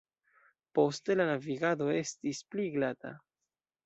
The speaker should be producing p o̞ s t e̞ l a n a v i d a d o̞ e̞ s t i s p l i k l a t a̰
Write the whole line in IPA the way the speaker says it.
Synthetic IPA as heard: p o̞ s t e̞ l a n a v i ɡ a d o̞ e̞ s t i s p l i ɡ l a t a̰